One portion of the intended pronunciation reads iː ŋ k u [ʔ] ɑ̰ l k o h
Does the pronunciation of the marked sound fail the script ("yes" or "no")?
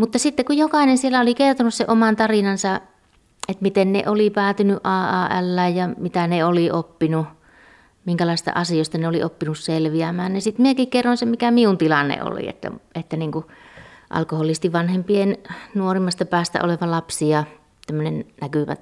no